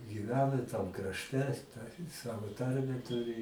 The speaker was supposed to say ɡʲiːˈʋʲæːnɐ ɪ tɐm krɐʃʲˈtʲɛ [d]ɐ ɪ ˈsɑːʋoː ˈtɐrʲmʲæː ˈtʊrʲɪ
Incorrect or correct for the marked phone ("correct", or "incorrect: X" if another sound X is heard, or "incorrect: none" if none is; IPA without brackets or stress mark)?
incorrect: t